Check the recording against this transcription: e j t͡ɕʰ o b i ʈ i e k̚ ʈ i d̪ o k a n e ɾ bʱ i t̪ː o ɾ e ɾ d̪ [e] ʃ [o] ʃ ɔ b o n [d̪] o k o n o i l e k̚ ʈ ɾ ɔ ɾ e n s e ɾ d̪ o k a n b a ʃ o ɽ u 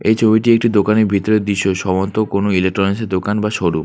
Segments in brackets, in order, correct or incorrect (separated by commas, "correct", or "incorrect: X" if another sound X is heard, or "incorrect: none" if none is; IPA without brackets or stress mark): incorrect: i, correct, incorrect: t̪